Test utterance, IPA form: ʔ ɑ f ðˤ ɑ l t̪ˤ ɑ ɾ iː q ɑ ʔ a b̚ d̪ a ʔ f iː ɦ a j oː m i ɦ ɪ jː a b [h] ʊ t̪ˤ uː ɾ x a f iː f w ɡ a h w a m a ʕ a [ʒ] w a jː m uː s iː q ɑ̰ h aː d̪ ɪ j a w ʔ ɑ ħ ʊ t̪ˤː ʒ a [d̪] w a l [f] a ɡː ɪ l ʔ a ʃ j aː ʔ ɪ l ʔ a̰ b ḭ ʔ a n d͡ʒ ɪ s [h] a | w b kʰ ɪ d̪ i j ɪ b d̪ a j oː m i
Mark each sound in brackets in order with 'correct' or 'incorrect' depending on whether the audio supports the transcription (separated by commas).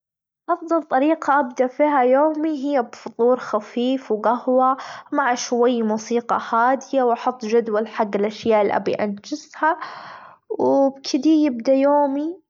incorrect, incorrect, correct, incorrect, correct